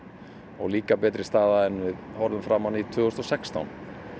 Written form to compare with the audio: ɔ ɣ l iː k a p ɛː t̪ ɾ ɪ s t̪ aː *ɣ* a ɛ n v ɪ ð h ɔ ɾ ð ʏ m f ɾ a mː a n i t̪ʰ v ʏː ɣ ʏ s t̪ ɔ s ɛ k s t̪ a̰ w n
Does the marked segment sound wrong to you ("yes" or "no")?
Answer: yes